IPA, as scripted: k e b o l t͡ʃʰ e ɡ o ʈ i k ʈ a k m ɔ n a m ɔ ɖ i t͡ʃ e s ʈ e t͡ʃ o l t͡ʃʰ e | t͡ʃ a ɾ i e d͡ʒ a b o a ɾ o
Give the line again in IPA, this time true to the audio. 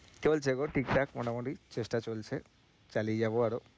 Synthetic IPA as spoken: k e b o l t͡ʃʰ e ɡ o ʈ i k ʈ a k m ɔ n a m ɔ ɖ i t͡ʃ e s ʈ a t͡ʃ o l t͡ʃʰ e | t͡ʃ a l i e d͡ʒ a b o a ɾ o

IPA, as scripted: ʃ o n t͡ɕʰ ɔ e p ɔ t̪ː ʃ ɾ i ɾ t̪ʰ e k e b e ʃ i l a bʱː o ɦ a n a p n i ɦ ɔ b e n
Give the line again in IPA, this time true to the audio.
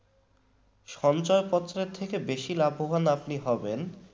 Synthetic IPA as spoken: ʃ ɔ n t͡ɕ ɔ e p ɔ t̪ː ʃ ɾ e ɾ t̪ʰ e k e b e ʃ i l a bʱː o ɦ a n a p n i ɦ ɔ b e n

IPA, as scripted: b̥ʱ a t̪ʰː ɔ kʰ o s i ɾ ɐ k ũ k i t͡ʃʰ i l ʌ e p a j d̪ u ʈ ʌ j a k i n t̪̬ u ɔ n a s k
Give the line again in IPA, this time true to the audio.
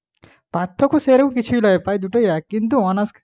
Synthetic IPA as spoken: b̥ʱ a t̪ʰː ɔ k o s e ɾ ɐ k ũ k i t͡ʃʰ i l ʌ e p a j d̪ u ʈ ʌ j a k i n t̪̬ u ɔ n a s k

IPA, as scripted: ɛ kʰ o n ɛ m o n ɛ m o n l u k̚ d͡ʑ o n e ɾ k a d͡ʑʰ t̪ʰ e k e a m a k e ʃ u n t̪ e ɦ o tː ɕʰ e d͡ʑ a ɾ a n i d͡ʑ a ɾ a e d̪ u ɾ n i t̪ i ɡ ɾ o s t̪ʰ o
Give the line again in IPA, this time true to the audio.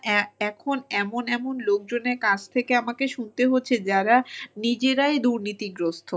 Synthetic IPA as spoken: ɛ kʰ o n ɛ m o n ɛ m o n l o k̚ d͡ʑ o n e ɾ k a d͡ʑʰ t̪ʰ e k e a m a k e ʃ u n t̪ e ɦ o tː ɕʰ e d͡ʑ a ɾ a n i d͡ʑ e ɾ a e d̪ u ɾ n i t̪ i ɡ ɾ o s t̪ʰ o

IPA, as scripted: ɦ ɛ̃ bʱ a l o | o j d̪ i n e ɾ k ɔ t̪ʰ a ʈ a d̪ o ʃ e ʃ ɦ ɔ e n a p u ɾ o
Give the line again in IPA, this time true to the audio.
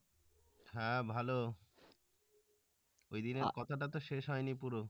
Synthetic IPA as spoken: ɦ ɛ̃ bʱ a l o | o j d̪ i n e ɾ k ɔ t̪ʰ a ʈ a t̪ o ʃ e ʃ ɦ ɔ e n i p u ɾ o

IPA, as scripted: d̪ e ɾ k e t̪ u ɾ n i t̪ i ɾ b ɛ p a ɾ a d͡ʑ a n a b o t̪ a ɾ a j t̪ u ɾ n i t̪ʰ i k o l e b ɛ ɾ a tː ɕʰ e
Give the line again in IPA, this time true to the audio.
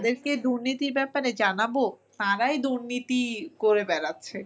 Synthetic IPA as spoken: d̪ e ɾ k e d̪ u ɾ n i t̪ i ɾ b ɛ p a ɾ e d͡ʑ a n a b o t̪ a ɾ a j d̪ u ɾ n i t̪ i k o ɾ e b ɛ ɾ a tː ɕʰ e

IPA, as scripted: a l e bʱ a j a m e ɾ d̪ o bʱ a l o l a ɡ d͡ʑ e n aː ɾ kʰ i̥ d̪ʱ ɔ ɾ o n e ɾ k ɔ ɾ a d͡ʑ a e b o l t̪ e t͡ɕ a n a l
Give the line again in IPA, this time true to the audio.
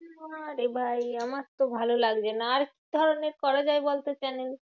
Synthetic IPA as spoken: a ɾ e bʱ a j a m a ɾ t̪ o bʱ a l o l a ɡ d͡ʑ e n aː ɾ k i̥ d̪ʱ ɔ ɾ o n e ɾ k ɔ ɾ a d͡ʑ a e b o l t̪ e t͡ɕ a n e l

